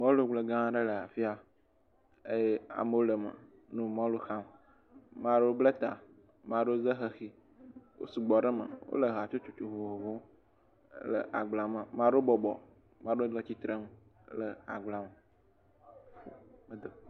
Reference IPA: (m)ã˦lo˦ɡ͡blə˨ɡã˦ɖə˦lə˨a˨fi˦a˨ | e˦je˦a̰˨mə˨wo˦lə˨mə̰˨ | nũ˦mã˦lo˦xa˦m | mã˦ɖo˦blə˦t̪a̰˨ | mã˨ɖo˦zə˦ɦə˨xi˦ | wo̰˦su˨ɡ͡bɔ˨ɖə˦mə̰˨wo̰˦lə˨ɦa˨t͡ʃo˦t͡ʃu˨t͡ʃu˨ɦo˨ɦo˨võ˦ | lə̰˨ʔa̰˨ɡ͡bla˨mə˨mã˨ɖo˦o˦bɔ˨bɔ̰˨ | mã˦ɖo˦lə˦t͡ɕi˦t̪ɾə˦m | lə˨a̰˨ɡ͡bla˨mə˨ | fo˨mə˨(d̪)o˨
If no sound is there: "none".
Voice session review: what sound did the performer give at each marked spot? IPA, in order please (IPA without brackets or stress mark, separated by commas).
m, d̪